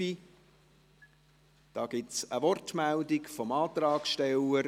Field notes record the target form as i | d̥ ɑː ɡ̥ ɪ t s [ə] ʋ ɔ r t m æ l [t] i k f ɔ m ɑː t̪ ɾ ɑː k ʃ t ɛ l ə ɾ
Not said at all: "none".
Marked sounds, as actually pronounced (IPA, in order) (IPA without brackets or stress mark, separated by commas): ə, d